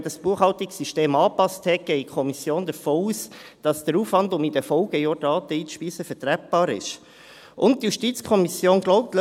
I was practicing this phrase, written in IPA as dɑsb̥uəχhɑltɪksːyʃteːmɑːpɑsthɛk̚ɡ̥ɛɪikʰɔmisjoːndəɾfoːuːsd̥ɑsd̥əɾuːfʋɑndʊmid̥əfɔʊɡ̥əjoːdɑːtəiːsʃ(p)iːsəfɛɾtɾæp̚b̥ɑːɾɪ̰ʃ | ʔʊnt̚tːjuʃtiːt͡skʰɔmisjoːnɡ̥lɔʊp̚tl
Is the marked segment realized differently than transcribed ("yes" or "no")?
no